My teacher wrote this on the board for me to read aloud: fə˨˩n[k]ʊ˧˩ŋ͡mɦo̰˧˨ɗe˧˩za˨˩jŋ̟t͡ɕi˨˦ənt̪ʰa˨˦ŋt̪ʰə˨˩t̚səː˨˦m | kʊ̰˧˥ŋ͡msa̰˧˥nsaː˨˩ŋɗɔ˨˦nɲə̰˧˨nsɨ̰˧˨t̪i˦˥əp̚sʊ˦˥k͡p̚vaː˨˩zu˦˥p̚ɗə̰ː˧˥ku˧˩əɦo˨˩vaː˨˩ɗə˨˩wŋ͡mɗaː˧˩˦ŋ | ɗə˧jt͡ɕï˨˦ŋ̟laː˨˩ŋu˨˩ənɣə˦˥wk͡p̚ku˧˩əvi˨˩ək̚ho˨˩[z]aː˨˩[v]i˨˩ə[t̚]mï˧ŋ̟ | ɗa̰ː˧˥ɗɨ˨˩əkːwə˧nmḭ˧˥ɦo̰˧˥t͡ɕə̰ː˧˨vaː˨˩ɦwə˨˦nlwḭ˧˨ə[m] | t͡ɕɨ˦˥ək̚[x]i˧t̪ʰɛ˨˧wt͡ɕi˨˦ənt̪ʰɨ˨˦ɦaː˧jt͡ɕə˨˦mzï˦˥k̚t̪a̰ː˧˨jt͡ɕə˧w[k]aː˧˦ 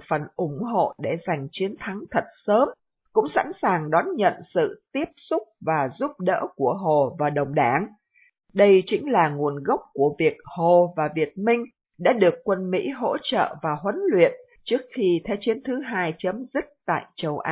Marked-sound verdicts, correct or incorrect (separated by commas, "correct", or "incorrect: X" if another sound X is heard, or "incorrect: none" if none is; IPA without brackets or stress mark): incorrect: ʔ, incorrect: v, correct, correct, incorrect: n, correct, incorrect: ʔ